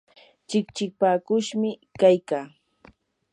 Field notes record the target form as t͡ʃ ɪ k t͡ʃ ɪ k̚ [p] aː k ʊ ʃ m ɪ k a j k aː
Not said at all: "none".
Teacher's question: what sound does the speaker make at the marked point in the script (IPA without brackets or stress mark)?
p